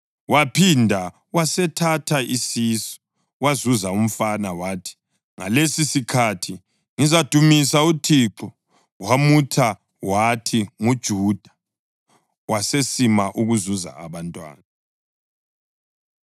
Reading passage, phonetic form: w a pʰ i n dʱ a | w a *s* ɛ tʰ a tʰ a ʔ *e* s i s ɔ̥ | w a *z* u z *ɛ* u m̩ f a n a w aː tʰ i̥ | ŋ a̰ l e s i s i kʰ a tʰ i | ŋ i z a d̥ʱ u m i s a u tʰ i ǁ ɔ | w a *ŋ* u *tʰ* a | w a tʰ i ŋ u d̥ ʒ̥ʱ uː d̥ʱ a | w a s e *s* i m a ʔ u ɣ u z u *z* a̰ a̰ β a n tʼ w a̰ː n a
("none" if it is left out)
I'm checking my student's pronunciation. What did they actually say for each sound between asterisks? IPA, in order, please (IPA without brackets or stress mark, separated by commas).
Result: s, i, z, a, m, tʰ, s, z